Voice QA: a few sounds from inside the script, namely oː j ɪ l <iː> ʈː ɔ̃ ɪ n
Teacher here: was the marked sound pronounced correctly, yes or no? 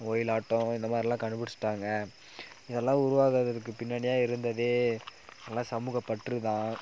no